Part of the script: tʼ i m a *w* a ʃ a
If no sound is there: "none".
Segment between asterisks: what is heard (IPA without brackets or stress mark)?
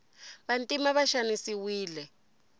β